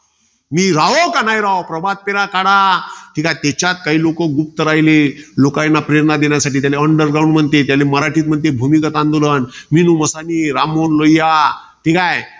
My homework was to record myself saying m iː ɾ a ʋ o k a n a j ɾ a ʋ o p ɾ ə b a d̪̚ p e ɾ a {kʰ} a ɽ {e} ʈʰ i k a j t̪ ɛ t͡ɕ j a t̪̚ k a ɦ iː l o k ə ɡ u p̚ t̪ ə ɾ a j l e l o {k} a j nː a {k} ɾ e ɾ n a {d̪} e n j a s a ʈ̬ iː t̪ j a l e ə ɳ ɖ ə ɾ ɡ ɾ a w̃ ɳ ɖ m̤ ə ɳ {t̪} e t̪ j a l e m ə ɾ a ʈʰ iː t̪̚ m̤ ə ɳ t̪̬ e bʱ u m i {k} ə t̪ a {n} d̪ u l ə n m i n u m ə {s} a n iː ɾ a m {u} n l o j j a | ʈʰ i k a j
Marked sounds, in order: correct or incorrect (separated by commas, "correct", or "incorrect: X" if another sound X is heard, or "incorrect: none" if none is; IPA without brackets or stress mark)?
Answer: incorrect: k, incorrect: a, correct, incorrect: p, correct, correct, correct, correct, correct, incorrect: o